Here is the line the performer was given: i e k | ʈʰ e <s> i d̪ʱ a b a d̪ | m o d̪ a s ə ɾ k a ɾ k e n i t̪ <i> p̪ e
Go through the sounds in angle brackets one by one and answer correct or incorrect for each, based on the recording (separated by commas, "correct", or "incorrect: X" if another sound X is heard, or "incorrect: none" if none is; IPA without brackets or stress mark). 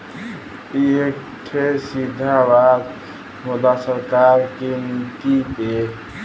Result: correct, correct